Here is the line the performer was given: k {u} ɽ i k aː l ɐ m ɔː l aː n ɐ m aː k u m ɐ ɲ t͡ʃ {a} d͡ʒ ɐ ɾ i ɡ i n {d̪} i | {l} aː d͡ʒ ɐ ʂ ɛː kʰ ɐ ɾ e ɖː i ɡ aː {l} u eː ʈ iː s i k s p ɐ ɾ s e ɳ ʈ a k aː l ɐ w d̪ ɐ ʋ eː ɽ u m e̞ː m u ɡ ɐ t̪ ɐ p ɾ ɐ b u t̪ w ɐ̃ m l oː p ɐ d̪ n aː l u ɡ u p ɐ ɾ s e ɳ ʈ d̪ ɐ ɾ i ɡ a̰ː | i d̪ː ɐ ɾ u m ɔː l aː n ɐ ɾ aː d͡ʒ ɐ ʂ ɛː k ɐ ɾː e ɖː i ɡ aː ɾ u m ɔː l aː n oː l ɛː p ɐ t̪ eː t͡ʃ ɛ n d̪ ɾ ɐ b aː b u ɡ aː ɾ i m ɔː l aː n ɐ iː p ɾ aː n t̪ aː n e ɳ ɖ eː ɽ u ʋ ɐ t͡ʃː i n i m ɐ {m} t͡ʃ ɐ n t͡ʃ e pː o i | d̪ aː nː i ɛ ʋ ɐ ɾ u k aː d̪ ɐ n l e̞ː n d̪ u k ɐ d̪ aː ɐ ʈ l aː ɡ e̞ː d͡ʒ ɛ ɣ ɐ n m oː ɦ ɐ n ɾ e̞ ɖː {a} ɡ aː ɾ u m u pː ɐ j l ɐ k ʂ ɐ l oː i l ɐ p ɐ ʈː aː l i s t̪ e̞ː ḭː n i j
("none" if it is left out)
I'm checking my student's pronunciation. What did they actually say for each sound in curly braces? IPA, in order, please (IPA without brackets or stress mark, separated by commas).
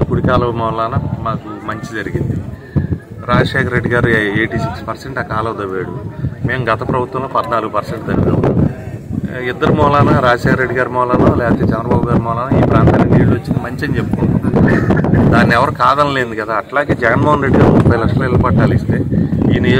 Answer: u, i, d̪, ɾ, ɾ, ɲ, i